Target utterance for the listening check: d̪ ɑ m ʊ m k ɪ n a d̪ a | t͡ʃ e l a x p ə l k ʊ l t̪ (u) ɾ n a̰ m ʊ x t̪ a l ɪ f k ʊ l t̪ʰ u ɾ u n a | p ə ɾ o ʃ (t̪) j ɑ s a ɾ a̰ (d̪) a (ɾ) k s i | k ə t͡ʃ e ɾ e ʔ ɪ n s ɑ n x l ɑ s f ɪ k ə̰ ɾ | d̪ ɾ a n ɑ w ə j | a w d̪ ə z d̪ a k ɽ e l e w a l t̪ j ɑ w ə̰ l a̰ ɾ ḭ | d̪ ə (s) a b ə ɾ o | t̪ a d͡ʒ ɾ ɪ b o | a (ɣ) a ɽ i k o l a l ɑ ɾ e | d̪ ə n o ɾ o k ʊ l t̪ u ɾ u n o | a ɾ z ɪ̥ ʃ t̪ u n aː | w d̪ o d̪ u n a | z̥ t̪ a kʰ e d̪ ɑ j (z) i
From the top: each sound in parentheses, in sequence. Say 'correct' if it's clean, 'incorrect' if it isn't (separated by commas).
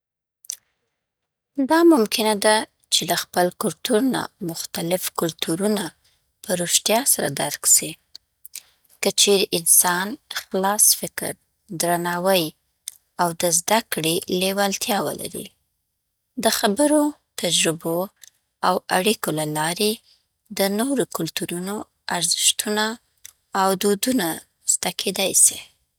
correct, correct, correct, correct, incorrect, incorrect, incorrect